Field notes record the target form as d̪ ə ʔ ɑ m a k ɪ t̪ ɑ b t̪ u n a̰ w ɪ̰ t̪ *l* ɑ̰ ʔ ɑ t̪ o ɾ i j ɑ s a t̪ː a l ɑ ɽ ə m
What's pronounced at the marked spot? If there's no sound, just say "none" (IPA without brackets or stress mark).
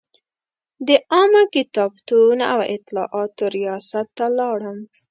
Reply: l